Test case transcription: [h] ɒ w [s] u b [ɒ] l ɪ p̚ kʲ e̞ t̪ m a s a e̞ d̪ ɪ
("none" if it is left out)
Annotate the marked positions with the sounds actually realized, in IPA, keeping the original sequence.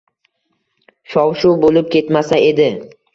ʃ, ʃ, o

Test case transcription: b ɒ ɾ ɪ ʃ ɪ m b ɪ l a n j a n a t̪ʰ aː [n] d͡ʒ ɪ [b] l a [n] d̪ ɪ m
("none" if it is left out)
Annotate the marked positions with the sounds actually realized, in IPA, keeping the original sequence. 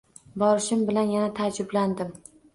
none, b, n

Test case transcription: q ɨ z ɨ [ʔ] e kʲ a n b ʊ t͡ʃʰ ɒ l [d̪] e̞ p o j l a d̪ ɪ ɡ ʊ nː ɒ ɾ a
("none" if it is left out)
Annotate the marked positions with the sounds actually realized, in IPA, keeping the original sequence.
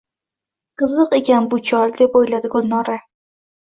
q, d̪

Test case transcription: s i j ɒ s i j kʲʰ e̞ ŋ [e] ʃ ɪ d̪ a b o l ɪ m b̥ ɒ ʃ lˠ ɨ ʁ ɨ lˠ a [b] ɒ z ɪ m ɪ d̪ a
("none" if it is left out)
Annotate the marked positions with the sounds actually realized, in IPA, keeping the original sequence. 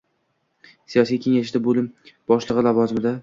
a, v

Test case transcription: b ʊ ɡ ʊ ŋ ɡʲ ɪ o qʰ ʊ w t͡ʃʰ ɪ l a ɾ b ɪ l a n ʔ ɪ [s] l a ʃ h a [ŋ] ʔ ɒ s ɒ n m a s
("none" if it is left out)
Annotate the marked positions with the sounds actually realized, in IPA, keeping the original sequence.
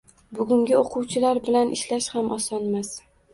ʃ, m

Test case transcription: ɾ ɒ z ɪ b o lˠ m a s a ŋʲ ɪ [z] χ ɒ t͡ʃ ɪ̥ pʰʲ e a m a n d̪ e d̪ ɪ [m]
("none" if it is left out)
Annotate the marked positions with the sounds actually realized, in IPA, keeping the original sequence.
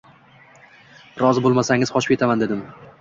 z, m

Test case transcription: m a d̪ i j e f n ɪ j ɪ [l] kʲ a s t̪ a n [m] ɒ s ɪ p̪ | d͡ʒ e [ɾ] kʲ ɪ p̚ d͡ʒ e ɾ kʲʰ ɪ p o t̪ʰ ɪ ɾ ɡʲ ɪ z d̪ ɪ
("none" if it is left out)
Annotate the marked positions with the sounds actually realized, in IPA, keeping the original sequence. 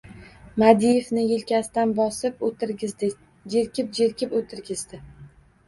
l, b, ɾ

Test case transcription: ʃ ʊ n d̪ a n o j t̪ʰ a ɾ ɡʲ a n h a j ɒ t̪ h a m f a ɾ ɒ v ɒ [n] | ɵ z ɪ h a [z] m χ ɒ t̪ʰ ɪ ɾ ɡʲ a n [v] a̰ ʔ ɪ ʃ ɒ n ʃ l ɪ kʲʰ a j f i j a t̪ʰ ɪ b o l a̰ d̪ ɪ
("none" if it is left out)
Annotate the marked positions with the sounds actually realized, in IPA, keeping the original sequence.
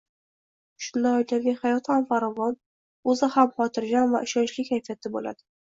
n, none, v

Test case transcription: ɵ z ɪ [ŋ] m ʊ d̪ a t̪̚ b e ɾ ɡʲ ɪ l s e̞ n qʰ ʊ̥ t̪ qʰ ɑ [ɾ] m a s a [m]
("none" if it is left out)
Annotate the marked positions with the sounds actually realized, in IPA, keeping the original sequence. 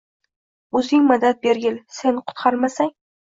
ŋ, ɾ, ŋ

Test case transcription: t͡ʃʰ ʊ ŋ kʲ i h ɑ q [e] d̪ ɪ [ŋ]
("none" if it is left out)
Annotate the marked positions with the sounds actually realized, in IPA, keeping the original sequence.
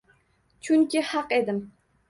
e, m

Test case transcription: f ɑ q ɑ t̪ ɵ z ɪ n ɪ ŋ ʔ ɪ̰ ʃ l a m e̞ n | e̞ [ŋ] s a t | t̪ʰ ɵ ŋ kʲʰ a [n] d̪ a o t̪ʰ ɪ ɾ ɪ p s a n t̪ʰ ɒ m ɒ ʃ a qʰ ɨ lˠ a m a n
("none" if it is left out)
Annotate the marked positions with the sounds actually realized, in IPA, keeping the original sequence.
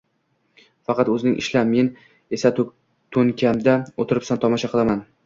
none, m

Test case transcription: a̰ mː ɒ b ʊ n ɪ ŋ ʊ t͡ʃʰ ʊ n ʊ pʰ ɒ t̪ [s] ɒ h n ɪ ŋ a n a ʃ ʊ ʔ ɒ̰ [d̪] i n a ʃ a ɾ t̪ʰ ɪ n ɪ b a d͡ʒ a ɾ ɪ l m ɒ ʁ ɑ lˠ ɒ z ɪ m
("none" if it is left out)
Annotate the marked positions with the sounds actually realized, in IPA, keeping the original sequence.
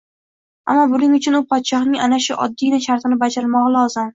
ʃ, d̪ː

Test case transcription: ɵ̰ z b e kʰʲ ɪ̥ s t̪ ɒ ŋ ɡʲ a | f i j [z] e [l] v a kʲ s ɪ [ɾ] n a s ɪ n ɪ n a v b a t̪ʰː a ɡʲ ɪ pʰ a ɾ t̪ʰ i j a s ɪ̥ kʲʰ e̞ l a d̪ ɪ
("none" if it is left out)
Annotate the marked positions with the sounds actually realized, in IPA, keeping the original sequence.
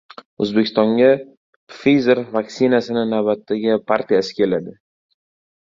z, ɾ, none

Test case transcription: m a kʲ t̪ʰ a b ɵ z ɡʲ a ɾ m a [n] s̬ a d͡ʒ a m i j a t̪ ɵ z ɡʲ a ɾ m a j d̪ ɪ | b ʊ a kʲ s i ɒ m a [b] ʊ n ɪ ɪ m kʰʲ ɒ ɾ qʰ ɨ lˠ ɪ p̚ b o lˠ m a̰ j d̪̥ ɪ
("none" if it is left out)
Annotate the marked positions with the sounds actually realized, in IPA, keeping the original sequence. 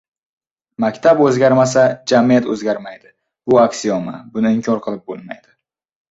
none, b

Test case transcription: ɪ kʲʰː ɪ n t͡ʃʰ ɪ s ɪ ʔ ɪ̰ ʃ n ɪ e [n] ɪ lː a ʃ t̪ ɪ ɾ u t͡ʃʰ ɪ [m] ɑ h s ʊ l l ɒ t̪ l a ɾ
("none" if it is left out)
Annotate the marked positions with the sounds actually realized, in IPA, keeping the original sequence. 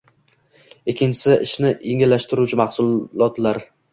ŋ, m

